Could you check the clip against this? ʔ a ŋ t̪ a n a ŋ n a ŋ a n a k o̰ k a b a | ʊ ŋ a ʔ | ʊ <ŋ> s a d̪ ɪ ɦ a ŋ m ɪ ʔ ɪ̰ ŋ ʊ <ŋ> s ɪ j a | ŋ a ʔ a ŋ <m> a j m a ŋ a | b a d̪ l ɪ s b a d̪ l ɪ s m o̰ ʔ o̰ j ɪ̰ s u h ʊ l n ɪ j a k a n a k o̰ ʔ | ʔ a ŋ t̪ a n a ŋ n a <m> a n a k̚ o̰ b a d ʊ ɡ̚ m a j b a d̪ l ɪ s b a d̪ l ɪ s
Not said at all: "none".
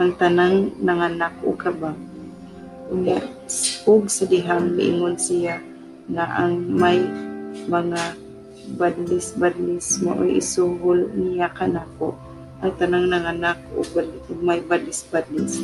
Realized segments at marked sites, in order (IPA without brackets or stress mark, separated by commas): ɡ, n, m, ŋ